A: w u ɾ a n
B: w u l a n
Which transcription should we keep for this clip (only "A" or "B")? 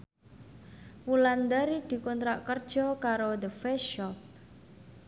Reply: B